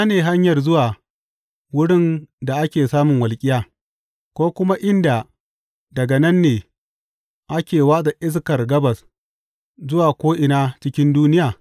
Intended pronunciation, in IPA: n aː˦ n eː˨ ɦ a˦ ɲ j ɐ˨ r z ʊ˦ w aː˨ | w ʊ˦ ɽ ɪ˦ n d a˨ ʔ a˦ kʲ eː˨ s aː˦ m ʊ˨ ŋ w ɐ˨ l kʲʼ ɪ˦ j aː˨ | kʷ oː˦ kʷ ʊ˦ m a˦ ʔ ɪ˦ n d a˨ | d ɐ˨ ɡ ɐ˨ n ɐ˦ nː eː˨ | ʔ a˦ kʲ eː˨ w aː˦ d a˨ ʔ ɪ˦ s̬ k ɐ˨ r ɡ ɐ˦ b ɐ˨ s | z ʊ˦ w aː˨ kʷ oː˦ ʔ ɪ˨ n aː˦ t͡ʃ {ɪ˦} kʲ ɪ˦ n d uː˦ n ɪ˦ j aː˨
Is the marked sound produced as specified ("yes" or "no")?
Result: yes